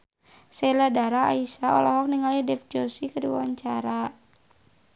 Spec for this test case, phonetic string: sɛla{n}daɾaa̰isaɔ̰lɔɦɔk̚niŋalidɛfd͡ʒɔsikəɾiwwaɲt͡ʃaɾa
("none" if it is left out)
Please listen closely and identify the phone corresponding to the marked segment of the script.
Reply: none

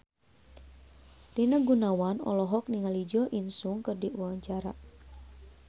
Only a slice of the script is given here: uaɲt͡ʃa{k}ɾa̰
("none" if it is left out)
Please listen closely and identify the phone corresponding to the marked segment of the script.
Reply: none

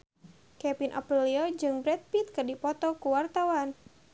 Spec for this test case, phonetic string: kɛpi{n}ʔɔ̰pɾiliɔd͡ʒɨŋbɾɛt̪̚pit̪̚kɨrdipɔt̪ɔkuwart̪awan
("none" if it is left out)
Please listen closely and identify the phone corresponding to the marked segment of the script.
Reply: n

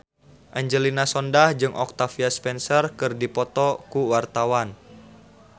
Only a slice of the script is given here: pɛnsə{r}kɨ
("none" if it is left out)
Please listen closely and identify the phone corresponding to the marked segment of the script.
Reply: r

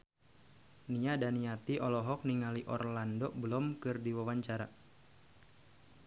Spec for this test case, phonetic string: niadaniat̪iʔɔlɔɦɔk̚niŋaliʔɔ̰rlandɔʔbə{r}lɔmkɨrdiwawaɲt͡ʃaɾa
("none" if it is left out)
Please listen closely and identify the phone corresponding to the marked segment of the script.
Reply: none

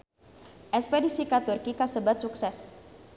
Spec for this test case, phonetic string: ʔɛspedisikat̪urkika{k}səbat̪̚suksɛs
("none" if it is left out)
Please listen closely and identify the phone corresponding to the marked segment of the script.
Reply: none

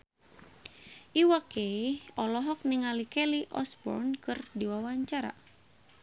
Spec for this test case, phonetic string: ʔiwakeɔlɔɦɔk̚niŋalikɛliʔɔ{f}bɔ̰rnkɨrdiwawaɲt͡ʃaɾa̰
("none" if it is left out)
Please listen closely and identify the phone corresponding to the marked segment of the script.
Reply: s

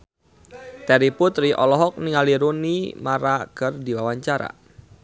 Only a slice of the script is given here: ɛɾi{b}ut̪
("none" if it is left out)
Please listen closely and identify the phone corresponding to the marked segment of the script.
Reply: p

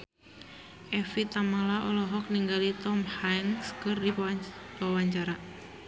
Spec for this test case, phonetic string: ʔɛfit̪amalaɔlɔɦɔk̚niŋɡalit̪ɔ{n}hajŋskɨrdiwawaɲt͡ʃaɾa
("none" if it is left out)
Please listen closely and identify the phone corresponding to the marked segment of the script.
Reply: m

